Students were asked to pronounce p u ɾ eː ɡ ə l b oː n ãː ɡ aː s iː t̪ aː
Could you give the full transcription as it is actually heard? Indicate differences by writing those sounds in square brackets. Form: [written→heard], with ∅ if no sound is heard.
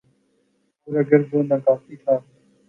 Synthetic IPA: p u ɾ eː ɡ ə [l→ɾ] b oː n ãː [ɡ→k] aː [s→f] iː [t̪→t̪ʰ] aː